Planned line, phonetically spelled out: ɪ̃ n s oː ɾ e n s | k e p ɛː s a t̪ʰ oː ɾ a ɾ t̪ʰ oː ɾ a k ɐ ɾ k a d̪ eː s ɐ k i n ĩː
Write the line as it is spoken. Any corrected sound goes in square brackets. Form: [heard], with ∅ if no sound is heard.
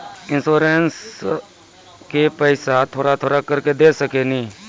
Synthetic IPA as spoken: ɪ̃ n s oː ɾ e n s | k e p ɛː s a t̪ʰ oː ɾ a [∅] t̪ʰ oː ɾ a k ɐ ɾ k [e] d̪ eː s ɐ k [e] n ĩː